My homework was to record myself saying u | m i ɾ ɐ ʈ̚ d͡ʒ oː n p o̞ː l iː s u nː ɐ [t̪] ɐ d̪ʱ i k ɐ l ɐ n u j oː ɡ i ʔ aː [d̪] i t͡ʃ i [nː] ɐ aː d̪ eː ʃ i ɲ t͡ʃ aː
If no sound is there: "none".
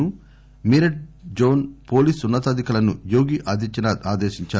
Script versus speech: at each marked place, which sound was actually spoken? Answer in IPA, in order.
t̪, d̪, n

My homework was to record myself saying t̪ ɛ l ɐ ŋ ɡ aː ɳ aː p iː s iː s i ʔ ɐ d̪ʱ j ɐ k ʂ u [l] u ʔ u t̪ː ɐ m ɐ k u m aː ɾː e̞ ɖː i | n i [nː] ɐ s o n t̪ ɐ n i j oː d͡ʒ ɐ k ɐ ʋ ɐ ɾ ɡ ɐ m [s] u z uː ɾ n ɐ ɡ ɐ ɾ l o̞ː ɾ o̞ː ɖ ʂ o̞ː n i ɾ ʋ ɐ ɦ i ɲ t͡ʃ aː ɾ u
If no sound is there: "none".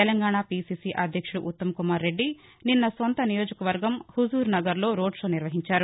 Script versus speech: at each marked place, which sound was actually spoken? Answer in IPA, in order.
ɽ, nː, h

